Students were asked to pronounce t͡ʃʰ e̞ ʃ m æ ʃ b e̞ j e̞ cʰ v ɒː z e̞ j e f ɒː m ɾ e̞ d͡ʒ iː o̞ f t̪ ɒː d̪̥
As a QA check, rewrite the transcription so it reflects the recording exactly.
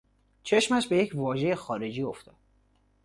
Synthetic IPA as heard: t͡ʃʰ e̞ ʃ m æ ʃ b e̞ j e̞ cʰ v ɒː ʒ e̞ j e x ɒː ɾ e̞ d͡ʒ iː o̞ f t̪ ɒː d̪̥